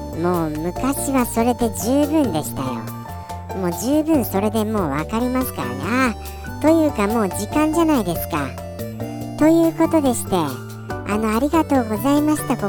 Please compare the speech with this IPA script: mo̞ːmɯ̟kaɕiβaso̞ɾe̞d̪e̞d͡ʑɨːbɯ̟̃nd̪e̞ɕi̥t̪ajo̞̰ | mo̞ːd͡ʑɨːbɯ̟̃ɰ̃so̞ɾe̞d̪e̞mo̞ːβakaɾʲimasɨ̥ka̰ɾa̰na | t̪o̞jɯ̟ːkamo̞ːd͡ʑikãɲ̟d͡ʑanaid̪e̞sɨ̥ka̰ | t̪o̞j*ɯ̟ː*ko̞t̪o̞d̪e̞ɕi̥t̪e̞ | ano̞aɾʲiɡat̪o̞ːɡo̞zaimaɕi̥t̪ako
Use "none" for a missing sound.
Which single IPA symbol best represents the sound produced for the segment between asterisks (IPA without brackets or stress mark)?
ɯ̟ː